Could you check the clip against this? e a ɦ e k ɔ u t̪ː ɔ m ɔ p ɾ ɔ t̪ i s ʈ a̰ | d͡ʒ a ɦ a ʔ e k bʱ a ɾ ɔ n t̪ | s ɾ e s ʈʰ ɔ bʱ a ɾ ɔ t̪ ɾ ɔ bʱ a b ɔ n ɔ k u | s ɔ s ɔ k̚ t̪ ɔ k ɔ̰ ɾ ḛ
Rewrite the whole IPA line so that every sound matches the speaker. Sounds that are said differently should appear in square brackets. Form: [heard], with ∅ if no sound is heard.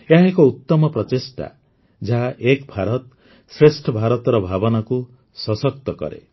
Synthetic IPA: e a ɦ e k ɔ u t̪ː ɔ m ɔ p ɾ ɔ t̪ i s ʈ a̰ | d͡ʒ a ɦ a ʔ e k bʱ a ɾ ɔ [∅] t̪ | s ɾ e s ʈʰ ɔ bʱ a ɾ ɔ t̪ ɾ ɔ bʱ a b ɔ n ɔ k u | s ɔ s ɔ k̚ t̪ ɔ k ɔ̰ ɾ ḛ